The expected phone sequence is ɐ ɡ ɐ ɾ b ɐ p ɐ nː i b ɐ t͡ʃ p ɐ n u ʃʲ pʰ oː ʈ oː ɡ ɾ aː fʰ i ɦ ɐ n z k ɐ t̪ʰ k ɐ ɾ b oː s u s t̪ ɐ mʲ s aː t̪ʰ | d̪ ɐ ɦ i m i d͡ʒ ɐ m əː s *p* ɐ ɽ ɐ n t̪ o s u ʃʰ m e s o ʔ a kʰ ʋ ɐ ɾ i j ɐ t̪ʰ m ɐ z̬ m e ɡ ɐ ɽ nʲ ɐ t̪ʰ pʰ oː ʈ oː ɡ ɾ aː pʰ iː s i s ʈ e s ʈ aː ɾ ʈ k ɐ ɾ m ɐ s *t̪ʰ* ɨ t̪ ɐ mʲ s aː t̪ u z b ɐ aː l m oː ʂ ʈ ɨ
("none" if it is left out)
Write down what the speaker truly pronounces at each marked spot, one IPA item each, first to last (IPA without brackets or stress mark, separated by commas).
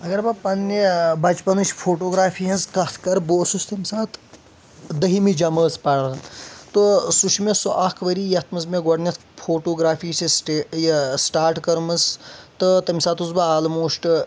p, t̪